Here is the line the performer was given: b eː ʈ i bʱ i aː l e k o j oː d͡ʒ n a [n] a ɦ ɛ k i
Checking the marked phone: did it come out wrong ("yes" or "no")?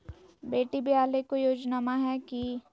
yes